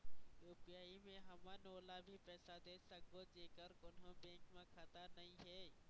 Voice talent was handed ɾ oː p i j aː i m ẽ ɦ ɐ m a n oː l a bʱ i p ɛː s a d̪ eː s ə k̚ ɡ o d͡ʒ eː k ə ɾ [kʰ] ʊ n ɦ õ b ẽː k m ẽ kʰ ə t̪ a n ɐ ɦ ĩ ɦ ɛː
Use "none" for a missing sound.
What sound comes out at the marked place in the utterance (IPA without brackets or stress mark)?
k